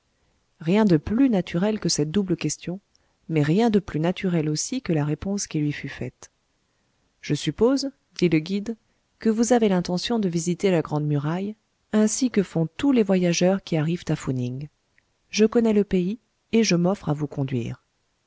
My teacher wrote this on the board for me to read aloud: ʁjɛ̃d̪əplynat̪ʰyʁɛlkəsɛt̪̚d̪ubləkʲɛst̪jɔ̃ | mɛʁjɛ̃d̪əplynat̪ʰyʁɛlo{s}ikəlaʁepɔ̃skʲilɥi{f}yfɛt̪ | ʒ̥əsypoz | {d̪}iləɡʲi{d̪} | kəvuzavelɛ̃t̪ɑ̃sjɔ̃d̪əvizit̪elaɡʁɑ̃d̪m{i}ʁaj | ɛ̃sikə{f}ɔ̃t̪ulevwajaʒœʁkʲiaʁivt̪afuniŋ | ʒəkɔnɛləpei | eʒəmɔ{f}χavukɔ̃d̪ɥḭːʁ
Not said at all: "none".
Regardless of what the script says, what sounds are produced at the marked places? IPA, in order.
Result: s, f, d̪, d̪, y, f, f

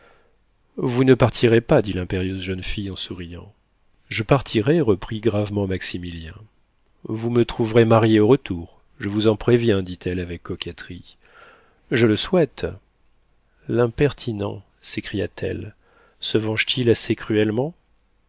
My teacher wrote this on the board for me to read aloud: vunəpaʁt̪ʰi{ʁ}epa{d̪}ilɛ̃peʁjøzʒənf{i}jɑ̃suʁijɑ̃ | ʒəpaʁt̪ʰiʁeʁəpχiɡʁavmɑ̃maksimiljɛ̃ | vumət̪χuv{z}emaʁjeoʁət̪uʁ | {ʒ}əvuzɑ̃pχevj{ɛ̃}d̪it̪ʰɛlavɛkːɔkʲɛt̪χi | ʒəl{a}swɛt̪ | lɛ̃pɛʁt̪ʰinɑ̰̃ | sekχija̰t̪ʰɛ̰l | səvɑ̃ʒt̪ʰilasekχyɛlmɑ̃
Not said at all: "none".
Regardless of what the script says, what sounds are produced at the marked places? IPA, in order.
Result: ʁ, d̪, i, ʁ, ʒ, ɛ̃, ə

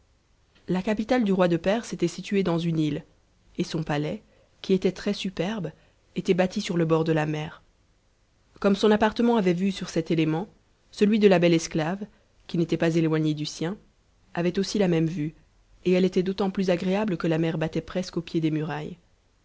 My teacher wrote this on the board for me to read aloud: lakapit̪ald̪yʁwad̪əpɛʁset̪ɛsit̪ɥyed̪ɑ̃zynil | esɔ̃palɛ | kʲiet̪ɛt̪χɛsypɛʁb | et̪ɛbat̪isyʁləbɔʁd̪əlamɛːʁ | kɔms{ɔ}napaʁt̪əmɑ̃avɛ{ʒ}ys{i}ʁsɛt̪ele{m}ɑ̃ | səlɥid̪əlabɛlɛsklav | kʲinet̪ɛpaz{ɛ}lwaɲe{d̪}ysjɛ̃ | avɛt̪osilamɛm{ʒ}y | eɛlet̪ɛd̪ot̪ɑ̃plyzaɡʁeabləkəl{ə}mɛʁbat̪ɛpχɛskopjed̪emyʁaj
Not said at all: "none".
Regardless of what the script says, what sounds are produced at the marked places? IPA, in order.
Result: ɔ̃, v, y, m, e, d̪, v, a

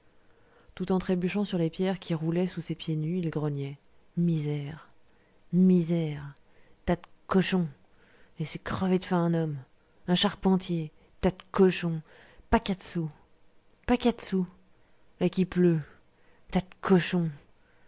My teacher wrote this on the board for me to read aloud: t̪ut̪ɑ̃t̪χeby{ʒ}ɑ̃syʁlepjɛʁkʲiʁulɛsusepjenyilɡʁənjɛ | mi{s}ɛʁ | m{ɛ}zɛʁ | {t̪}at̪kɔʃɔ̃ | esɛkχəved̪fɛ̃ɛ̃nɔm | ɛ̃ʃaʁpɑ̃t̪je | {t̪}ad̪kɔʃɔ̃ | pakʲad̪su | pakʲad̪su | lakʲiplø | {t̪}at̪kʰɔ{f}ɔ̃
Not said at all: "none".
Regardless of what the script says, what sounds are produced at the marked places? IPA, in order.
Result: ʃ, z, i, t̪, t̪, t̪, ʃ

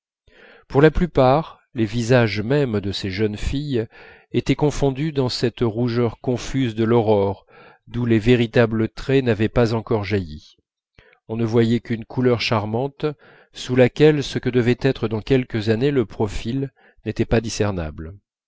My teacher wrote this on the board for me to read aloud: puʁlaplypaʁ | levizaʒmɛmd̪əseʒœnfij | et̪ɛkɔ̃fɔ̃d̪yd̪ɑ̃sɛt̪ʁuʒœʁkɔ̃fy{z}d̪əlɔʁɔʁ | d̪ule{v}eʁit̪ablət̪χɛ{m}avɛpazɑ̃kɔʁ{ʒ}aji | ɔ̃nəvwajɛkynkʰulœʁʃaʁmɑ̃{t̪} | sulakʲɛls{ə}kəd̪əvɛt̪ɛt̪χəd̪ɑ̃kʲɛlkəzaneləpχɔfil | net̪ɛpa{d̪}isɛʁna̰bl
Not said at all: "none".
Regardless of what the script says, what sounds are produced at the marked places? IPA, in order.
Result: z, v, n, ʒ, t̪, ə, d̪

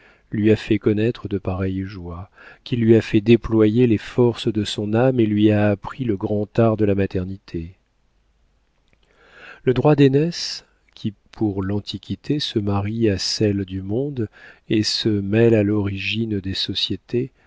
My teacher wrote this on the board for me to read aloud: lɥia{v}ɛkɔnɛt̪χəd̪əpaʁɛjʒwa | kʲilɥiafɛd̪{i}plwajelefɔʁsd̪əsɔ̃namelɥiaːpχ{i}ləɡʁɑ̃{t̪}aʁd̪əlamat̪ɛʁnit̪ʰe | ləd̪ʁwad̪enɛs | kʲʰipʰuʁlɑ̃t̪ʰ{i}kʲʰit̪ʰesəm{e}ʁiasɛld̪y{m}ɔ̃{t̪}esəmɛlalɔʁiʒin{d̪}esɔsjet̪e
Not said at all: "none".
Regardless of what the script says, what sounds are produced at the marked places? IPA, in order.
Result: f, e, i, t̪, i, a, m, d̪, d̪

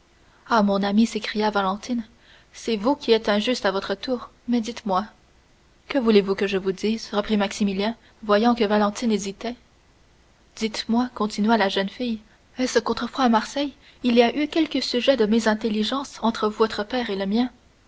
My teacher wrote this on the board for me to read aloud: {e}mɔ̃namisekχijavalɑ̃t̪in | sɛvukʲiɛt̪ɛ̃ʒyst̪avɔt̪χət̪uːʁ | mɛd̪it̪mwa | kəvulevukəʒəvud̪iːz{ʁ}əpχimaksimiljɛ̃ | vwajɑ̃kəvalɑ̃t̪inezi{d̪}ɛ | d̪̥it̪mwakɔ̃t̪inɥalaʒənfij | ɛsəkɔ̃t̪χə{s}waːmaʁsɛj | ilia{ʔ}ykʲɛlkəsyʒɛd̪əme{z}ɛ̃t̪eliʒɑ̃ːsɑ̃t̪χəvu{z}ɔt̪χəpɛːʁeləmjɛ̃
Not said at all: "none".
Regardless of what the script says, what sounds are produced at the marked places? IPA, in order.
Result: a, ʁ, t̪, f, ʔ, z, v

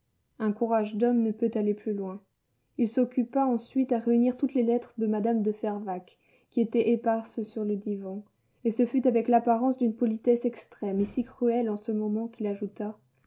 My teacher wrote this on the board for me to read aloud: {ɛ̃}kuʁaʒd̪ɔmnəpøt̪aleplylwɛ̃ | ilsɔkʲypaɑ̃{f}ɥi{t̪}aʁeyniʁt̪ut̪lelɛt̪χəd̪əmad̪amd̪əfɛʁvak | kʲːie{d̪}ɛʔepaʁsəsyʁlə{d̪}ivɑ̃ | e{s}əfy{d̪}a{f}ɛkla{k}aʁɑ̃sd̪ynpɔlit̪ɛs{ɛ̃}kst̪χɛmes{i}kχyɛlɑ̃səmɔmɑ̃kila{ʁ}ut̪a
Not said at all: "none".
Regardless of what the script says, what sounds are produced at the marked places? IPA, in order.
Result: ɛ̃, s, t̪, t̪, d̪, s, t̪, v, p, ɛ, i, ʒ

